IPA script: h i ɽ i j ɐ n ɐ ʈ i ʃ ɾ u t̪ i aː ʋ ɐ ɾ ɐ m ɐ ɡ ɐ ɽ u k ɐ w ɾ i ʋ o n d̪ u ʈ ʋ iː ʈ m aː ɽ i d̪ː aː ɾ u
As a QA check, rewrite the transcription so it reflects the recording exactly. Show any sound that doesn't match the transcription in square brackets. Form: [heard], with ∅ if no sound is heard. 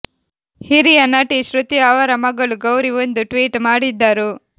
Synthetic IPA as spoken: h i [ɾ] i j ɐ n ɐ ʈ i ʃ ɾ u t̪ i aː ʋ ɐ ɾ ɐ m ɐ ɡ ɐ [ɭ] u [ɡ] ɐ w ɾ i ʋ o n d̪ u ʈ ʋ iː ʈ m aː ɽ i d̪ː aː ɾ u